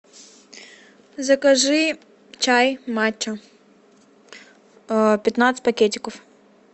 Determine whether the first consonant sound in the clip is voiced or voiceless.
voiced